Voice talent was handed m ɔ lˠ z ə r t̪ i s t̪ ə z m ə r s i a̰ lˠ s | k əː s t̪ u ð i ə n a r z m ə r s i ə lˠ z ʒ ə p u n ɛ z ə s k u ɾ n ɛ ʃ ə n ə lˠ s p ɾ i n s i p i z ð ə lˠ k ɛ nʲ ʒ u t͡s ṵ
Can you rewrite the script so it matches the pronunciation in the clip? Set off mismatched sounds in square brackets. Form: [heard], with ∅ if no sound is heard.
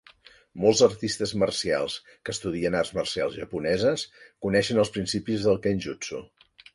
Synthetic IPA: m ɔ lˠ z ə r t̪ i s t̪ ə z m ə r s i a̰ lˠ s | k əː s t̪ u ð i ə n a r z m ə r s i [a] lˠ z ʒ ə p u n ɛ z ə s k u [∅] n ɛ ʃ ə n ə lˠ s p ɾ i n s i p i z ð ə lˠ k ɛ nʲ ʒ u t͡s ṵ